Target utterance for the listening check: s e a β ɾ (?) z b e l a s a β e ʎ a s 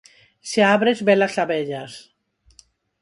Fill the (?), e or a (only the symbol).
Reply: e